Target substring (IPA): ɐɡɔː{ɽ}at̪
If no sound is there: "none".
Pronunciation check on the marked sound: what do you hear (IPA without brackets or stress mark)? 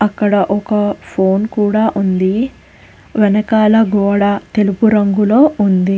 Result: ɽ